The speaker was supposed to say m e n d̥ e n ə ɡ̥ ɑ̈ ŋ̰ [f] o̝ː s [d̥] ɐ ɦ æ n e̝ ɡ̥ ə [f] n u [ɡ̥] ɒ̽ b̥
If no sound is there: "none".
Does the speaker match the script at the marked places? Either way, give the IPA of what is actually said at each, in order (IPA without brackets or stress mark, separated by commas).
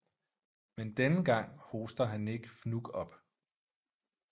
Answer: h, d̥, f, ɡ̥